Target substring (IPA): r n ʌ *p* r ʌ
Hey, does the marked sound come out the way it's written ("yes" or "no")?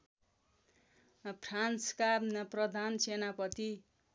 yes